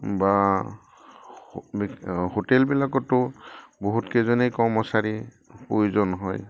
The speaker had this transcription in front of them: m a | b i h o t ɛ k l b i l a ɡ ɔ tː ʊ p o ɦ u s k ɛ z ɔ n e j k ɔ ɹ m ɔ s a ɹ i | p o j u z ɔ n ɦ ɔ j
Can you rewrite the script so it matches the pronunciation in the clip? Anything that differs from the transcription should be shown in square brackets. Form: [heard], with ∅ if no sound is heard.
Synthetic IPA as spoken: [b] a | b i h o t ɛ [∅] l b i l a [k] ɔ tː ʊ [b] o ɦ u [t] k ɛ z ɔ n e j k ɔ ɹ m ɔ s a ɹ i | p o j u z ɔ n ɦ ɔ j